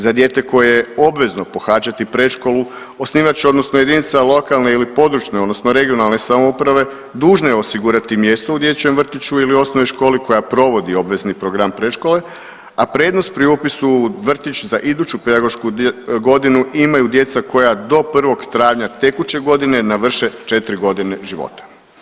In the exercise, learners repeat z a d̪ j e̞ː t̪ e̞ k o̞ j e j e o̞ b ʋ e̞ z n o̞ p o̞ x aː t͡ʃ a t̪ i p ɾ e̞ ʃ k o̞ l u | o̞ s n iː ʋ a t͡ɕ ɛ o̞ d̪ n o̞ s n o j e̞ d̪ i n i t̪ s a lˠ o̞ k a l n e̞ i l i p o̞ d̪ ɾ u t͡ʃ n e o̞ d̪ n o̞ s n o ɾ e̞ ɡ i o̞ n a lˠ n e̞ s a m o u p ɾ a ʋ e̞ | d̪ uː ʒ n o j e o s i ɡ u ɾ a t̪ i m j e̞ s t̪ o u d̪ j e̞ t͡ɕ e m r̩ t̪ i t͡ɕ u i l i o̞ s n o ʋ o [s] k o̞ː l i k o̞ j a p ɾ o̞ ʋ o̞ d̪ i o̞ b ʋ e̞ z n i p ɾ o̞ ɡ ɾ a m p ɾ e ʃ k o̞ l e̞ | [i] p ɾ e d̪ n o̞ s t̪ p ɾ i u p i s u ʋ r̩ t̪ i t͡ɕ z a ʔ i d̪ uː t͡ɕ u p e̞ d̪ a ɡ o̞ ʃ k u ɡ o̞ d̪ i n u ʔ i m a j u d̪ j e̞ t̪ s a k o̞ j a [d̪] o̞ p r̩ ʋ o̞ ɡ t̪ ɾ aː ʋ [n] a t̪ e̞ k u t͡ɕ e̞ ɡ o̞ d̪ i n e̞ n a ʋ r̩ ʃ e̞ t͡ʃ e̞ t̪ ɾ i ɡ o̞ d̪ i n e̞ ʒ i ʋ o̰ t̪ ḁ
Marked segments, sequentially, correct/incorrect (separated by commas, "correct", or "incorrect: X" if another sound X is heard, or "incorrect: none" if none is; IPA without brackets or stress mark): incorrect: ʃ, incorrect: a, correct, incorrect: ɲ